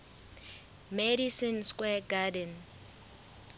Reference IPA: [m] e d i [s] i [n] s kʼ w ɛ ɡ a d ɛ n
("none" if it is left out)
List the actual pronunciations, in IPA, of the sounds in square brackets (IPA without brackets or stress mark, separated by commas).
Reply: m, s, n